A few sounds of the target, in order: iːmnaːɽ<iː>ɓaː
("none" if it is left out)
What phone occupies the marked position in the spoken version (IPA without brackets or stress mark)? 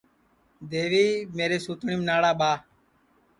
aː